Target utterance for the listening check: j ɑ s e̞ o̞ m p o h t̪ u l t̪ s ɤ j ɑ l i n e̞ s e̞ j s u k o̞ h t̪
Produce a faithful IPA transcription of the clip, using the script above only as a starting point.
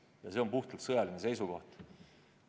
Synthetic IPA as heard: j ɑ s e̞ o̞ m p u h t̪ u l t̪ s ɤ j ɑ l i n e̞ s e̞ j s u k o̞ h t̪